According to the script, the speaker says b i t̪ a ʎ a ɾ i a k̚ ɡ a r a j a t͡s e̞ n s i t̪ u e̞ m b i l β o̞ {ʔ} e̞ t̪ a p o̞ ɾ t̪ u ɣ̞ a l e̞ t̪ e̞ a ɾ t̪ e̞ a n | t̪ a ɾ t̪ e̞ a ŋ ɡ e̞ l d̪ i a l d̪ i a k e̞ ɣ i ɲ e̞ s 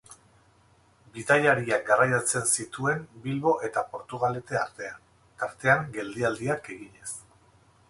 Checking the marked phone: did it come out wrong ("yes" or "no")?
no